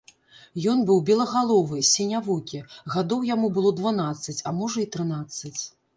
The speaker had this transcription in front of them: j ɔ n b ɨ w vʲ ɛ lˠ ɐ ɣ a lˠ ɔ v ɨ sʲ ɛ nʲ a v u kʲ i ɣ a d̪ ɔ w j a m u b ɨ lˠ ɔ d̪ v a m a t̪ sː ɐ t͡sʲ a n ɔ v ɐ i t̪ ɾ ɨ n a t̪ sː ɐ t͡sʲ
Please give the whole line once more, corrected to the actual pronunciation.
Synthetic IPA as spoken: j ɔ n b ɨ w bʲ ɛ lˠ ɐ ɣ a lˠ ɔ v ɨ sʲ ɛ nʲ a v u kʲ i ɣ a d̪ ɔ w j a m u b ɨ lˠ ɔ d̪ v a n a t̪ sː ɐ t͡sʲ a m ɔ ʐ ɐ i t̪ ɾ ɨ n a t̪ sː ɐ t͡sʲ